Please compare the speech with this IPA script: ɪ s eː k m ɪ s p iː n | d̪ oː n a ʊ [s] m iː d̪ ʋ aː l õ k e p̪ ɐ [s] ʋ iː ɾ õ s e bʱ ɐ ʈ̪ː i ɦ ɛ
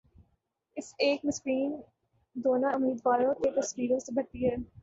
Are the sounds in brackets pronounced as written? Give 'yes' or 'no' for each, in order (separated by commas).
no, yes